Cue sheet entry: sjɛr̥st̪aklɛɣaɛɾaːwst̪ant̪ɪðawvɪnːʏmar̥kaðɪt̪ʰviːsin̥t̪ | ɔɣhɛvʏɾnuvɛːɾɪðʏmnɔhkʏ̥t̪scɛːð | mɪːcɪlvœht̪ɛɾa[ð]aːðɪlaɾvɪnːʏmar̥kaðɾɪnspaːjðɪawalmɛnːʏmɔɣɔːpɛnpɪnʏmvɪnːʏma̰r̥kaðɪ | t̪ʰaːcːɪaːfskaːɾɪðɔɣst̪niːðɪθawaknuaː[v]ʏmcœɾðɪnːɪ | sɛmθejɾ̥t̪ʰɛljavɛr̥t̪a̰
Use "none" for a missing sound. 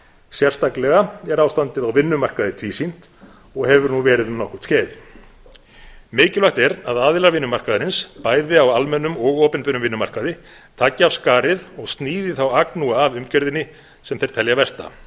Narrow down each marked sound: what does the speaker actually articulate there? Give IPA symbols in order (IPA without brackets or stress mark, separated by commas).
ð, v